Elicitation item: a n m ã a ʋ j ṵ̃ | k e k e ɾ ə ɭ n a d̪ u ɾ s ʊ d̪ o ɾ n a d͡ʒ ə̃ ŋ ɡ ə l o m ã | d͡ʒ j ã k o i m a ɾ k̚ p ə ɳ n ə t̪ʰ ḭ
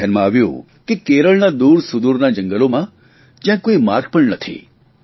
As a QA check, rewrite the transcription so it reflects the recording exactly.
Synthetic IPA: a n m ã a ʋ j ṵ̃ | k e k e ɾ ə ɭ n a d̪ u ɾ s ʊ d̪ u ɾ n a d͡ʒ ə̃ ŋ ɡ ə l o m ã | d͡ʒ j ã k o i m a ɾ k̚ p ə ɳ n ə t̪ʰ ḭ